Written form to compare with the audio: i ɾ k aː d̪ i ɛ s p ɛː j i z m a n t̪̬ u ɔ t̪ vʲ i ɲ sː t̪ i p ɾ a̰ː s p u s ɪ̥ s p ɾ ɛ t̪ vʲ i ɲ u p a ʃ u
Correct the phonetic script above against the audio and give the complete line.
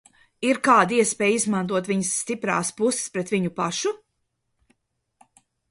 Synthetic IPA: i ɾ k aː d̪ i ɛ s p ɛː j i z m a n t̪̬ u ɔ t̪ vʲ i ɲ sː t̪ i p ɾ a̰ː s p u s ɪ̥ s p ɾ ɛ t̪ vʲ i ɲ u p a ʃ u